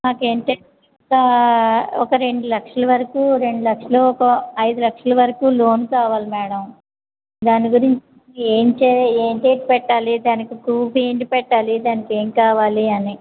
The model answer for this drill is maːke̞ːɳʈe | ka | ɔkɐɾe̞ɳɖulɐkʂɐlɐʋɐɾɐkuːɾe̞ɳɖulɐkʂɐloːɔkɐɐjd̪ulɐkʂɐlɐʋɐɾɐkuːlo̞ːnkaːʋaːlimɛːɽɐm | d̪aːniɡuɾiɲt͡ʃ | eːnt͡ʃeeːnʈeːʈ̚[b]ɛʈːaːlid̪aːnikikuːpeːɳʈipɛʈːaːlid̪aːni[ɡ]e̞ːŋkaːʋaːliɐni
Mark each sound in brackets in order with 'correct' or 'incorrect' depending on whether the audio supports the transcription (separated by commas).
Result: incorrect, incorrect